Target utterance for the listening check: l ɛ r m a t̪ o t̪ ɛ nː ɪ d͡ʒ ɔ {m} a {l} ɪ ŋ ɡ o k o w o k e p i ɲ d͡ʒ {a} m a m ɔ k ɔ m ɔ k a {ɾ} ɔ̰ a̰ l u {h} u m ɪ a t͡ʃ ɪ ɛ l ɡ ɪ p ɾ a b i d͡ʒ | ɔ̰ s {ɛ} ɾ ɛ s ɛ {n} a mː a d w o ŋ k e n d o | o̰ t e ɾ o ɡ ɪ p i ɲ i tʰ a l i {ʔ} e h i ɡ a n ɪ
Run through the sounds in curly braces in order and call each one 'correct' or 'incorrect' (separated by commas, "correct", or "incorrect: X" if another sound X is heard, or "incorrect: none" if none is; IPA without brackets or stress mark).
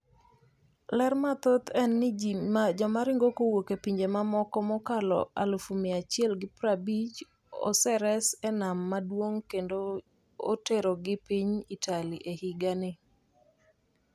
correct, incorrect: ɾ, incorrect: e, incorrect: l, incorrect: f, correct, correct, correct